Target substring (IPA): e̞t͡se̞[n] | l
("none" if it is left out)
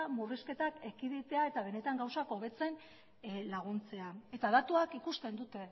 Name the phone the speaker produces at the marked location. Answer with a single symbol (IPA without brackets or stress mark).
n